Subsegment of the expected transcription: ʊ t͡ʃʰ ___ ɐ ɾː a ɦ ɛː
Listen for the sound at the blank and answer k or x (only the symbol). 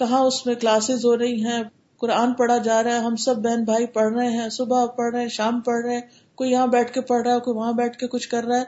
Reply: k